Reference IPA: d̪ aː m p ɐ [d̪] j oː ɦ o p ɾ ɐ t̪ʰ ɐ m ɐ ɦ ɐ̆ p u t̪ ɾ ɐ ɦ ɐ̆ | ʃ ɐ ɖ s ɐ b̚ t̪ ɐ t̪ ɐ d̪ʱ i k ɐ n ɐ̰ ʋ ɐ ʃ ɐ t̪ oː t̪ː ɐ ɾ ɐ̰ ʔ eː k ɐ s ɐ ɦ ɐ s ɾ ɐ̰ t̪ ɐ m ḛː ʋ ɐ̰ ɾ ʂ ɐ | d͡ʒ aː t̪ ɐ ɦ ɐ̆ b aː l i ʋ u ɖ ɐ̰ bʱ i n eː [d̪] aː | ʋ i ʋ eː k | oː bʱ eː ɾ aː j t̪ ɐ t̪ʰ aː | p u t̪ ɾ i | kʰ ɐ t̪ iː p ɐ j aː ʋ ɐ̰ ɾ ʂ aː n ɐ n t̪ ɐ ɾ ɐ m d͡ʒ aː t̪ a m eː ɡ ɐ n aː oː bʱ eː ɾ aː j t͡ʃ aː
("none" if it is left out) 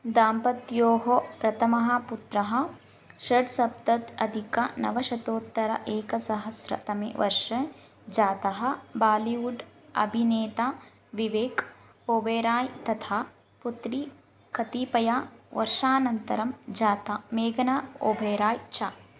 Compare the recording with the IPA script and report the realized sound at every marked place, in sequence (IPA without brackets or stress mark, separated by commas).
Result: t̪, t̪